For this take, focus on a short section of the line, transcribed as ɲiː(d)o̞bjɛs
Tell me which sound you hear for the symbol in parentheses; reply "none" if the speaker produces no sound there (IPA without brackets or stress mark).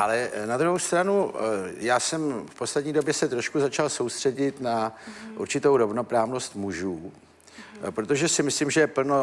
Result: d